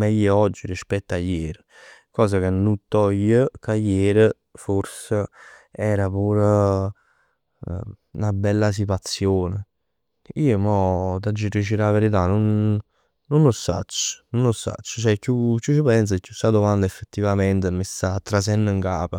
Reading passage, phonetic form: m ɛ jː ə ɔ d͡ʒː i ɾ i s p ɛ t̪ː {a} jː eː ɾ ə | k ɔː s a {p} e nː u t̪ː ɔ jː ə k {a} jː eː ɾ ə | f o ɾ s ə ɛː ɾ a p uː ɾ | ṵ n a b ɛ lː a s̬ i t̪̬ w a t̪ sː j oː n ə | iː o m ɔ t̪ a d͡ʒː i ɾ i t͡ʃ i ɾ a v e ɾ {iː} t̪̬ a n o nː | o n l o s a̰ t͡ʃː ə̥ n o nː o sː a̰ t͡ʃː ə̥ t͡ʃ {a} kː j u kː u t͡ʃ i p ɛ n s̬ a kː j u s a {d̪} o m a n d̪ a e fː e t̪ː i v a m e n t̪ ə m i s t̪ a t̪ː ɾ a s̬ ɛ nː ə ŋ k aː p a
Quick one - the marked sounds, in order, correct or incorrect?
correct, incorrect, correct, incorrect, incorrect, correct

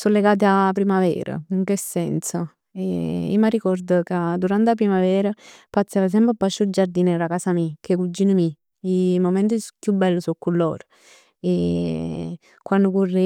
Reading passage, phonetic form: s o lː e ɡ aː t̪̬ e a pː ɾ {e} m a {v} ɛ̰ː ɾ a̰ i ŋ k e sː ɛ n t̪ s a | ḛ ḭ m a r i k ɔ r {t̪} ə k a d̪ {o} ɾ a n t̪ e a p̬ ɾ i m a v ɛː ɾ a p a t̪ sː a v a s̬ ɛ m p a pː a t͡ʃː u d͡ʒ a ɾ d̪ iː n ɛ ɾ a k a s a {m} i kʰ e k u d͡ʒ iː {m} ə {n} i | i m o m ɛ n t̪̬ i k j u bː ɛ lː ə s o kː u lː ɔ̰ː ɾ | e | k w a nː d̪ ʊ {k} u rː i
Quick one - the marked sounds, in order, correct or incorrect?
incorrect, correct, incorrect, incorrect, correct, incorrect, incorrect, correct

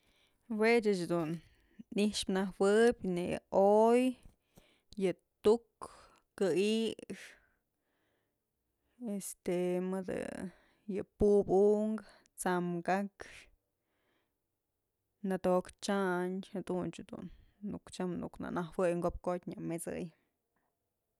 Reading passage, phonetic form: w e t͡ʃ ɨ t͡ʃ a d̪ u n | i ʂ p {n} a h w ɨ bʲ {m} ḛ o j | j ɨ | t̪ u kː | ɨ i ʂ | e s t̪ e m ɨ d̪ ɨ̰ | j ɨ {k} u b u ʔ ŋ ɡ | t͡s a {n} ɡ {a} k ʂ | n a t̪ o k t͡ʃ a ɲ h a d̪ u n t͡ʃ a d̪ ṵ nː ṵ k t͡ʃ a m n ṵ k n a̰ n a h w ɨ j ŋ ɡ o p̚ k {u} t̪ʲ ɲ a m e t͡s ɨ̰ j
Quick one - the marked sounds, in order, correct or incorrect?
correct, incorrect, incorrect, incorrect, correct, incorrect

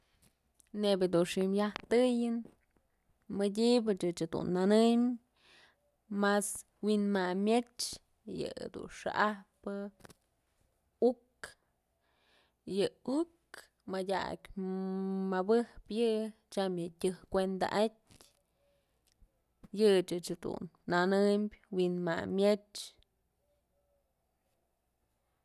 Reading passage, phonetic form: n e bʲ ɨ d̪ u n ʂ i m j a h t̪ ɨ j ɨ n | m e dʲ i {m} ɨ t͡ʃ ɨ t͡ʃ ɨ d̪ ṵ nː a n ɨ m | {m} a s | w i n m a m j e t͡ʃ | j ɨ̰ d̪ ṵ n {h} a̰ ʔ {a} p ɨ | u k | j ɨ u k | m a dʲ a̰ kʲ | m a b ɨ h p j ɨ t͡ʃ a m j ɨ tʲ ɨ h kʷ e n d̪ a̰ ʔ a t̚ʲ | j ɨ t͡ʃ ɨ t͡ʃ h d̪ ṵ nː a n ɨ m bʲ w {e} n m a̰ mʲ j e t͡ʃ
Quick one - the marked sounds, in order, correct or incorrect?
incorrect, correct, incorrect, correct, incorrect

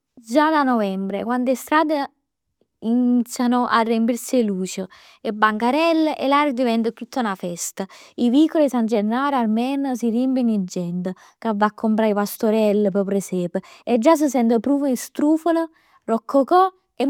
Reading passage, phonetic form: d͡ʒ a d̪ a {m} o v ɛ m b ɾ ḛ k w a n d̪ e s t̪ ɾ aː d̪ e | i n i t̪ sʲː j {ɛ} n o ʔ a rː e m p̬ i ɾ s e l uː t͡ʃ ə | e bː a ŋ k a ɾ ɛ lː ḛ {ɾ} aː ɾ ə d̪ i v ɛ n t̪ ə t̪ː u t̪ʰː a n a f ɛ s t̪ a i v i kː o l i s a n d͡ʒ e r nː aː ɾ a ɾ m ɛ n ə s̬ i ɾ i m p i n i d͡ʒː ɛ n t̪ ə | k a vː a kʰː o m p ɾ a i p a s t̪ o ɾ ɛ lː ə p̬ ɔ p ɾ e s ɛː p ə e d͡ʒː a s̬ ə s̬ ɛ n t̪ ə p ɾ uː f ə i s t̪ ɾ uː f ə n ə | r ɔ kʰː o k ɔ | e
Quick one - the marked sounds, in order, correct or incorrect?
incorrect, incorrect, incorrect

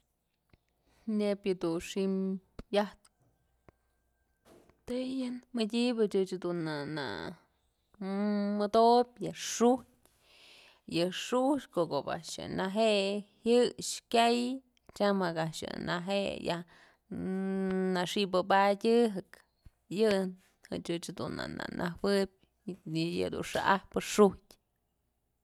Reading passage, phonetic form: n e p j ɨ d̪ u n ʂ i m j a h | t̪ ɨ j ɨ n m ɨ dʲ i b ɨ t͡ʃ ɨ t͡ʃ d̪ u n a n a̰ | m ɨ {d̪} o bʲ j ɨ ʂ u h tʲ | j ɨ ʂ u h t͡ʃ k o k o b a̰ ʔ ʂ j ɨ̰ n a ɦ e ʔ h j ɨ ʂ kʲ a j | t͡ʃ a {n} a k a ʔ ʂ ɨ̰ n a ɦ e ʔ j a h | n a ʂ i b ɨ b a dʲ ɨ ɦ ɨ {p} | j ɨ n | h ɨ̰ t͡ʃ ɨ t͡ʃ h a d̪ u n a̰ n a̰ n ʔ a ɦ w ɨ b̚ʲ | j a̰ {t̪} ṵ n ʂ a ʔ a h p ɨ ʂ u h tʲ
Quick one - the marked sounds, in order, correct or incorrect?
correct, incorrect, incorrect, incorrect

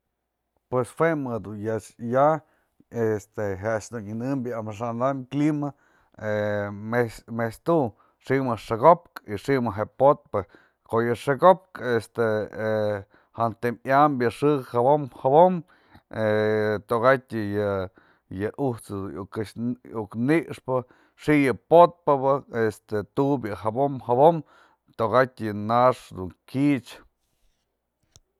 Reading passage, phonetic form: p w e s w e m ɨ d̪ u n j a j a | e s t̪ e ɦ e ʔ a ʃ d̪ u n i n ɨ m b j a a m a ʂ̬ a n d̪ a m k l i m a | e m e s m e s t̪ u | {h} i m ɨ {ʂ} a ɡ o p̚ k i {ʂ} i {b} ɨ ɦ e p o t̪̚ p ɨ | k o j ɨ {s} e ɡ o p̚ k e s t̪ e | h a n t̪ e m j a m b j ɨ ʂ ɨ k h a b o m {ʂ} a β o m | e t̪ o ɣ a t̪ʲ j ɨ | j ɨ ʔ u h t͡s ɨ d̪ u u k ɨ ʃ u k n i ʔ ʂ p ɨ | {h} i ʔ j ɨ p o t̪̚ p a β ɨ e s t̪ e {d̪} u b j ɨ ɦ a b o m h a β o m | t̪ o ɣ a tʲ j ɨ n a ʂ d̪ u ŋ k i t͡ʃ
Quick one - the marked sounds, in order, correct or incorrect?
incorrect, correct, correct, incorrect, incorrect, incorrect, incorrect, incorrect

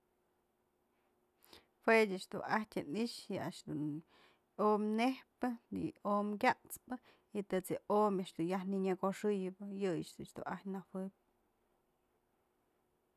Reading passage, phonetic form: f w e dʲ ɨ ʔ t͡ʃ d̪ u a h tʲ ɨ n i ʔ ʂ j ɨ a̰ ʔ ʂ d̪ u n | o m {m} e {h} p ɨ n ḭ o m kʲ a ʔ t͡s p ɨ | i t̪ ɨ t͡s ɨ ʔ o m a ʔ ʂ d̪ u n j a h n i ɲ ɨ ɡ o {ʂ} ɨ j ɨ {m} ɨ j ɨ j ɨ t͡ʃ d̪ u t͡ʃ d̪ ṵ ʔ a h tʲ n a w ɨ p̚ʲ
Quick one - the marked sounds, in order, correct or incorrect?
incorrect, correct, correct, incorrect

